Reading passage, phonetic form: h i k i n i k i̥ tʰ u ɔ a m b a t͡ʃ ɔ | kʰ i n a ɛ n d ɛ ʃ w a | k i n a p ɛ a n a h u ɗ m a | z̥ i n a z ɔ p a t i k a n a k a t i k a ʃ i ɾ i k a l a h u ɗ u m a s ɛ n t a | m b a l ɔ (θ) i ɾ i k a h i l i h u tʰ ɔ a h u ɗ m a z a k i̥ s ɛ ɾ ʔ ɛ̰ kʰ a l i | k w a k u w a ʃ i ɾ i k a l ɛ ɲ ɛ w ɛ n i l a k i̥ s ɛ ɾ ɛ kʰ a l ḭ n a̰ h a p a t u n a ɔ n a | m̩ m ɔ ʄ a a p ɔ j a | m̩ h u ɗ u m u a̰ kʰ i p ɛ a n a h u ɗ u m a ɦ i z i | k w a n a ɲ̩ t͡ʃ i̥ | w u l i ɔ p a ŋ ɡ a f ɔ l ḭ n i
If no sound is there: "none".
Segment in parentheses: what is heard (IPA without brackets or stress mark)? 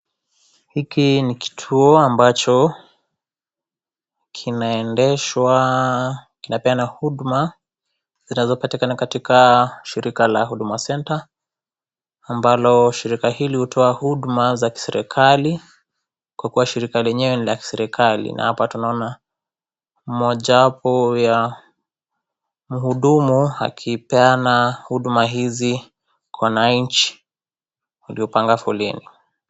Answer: ʃ